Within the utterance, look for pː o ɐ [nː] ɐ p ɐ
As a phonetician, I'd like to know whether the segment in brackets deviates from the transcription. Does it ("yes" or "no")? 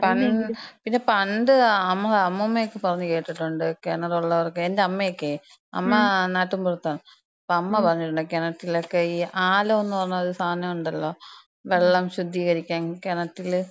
yes